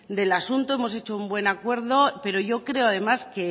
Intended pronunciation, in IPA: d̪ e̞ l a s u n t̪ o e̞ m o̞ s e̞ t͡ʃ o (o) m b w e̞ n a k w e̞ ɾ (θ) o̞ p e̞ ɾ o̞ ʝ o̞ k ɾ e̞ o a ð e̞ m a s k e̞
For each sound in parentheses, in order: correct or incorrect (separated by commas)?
incorrect, incorrect